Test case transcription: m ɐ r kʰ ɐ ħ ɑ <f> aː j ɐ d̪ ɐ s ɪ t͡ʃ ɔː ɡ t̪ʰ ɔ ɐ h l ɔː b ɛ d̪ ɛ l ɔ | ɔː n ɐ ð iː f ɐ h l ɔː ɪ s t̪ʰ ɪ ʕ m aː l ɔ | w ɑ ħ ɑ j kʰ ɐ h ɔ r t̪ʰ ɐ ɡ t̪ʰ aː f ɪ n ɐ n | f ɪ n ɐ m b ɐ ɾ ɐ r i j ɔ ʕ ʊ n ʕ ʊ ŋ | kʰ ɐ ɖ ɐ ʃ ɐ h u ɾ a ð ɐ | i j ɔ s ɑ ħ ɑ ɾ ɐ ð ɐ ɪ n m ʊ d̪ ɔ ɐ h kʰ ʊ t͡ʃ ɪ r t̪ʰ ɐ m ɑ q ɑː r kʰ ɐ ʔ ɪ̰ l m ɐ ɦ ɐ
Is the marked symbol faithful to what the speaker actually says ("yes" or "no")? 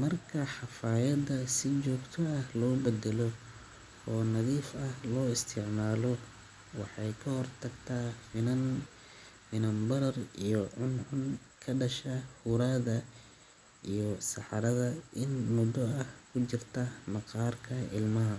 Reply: yes